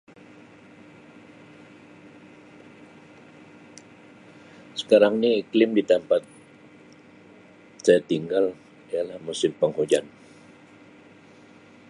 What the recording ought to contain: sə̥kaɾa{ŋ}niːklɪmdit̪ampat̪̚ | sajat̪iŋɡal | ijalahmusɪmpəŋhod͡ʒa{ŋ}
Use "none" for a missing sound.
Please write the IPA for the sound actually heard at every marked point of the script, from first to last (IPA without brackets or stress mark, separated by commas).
ŋ, n